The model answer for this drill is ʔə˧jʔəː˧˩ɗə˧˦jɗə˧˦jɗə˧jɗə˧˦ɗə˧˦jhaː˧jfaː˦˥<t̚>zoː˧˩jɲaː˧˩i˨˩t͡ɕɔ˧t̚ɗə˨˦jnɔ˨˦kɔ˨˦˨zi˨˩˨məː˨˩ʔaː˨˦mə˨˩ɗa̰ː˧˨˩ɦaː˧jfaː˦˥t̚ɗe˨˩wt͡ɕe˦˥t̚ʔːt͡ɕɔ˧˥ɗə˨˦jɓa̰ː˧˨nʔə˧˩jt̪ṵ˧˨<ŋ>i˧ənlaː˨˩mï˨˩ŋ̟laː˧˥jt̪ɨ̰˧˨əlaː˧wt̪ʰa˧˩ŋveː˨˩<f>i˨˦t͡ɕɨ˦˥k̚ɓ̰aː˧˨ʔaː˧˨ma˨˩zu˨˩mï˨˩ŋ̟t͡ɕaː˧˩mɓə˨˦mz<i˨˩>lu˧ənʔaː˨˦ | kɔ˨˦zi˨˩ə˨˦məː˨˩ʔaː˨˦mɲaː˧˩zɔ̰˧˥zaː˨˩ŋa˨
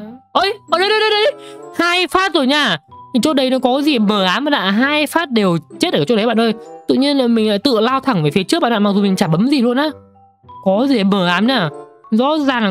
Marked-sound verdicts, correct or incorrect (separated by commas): correct, incorrect, correct, correct